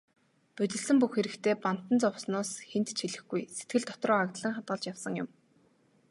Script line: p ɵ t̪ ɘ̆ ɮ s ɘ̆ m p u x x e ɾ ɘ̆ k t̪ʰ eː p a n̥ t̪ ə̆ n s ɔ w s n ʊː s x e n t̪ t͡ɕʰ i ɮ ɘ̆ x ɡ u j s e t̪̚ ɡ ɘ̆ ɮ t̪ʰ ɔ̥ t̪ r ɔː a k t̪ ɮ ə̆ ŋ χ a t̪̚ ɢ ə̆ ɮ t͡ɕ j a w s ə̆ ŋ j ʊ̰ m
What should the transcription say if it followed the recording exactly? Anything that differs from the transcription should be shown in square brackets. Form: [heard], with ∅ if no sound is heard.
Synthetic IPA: p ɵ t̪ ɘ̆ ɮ s ɘ̆ m p u x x e ɾ ɘ̆ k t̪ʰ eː p a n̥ t̪ ə̆ n [t͡s] ɔ w s n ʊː s x e n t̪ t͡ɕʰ i ɮ ɘ̆ x ɡ u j s e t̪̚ ɡ ɘ̆ ɮ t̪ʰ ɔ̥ t̪ r ɔː a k t̪ ɮ ə̆ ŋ χ a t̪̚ ɢ ə̆ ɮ t͡ɕ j a w s ə̆ ŋ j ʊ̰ m